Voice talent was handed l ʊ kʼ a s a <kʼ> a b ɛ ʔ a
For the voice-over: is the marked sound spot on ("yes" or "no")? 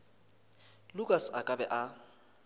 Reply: yes